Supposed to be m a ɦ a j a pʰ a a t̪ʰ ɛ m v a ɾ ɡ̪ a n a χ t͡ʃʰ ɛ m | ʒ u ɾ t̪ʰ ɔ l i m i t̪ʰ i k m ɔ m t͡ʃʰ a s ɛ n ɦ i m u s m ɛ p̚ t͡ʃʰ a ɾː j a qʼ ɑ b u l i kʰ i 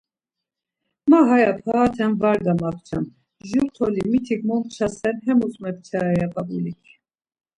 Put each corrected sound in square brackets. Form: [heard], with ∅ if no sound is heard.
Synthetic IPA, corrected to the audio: m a ɦ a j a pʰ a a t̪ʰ ɛ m v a ɾ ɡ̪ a [m] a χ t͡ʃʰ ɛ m | ʒ u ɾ t̪ʰ ɔ l i m i t̪ʰ i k m ɔ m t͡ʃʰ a s ɛ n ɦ [ɛ] m u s m ɛ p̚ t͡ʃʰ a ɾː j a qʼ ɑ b u l i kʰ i